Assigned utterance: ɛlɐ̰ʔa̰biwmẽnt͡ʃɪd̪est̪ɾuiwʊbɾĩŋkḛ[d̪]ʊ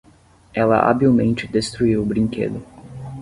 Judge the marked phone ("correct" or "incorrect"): correct